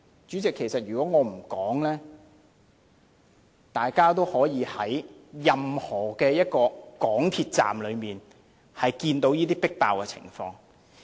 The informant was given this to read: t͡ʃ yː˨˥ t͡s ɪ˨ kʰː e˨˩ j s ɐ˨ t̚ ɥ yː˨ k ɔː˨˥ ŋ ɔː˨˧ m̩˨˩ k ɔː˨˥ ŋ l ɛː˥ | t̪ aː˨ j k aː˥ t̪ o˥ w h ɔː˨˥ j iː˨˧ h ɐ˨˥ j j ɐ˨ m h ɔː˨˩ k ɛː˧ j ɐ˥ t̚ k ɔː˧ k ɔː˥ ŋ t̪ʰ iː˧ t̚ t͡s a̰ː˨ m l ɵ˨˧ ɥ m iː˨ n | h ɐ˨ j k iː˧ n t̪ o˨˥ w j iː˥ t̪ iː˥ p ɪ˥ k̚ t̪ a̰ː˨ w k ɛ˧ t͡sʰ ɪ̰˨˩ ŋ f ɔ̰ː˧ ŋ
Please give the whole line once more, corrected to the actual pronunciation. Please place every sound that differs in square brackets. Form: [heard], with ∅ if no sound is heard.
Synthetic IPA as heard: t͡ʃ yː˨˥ t͡s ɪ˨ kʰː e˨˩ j s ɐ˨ t̚ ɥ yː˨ k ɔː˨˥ ŋ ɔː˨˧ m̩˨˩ k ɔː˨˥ ŋ l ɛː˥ | t̪ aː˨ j k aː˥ t̪ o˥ w h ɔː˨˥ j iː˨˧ h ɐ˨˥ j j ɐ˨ m h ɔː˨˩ k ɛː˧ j ɐ˥ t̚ k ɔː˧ k [ɔː˨˥] ŋ t̪ʰ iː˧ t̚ t͡s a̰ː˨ m l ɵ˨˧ ɥ m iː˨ n | h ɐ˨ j k iː˧ n t̪ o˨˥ w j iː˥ t̪ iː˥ p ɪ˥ k̚ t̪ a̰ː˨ w k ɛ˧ t͡sʰ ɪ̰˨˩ ŋ f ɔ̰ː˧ ŋ